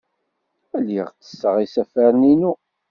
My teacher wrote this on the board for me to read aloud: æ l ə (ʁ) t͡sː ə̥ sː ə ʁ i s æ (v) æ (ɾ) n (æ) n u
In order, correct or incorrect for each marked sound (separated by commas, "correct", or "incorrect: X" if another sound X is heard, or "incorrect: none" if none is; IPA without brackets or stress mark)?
correct, incorrect: f, correct, incorrect: i